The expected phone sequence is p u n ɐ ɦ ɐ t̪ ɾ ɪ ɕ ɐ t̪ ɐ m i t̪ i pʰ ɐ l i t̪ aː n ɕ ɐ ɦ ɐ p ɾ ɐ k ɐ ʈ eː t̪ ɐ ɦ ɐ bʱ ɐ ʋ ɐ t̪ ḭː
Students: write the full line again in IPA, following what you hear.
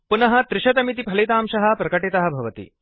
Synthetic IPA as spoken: p u n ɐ ɦ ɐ t̪ ɾ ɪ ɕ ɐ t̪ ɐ m i t̪ i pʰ ɐ l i t̪ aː m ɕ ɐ ɦ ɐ p ɾ ɐ k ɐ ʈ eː t̪ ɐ ɦ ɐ bʱ ɐ ʋ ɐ t̪ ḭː